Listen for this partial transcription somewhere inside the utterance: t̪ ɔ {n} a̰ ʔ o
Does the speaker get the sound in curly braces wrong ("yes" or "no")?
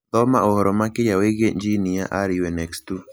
yes